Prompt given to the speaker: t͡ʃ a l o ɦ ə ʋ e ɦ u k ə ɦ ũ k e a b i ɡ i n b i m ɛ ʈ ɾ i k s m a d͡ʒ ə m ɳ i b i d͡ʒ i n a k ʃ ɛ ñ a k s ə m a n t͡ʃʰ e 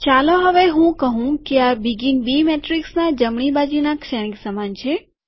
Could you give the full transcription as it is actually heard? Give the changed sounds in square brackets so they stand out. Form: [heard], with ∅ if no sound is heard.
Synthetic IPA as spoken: t͡ʃ a l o ɦ ə ʋ e ɦ [ũ] k ə ɦ ũ k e a b i ɡ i n b i m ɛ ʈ ɾ i k s [n] a d͡ʒ ə m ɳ i b [a] d͡ʒ i n a k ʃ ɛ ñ [i] k s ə m a n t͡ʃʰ e